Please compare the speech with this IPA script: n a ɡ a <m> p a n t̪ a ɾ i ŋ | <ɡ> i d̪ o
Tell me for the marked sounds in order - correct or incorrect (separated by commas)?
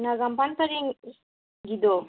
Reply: correct, correct